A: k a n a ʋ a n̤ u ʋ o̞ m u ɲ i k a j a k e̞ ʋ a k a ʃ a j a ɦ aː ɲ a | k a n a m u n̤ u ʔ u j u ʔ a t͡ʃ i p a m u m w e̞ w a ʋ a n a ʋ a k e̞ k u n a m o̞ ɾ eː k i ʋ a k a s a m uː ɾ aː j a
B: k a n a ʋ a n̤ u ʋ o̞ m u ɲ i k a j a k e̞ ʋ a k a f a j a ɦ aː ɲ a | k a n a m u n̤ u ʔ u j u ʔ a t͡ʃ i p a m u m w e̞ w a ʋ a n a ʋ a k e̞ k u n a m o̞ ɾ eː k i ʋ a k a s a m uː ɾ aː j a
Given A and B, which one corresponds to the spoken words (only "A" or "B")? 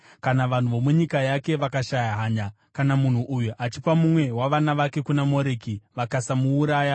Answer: A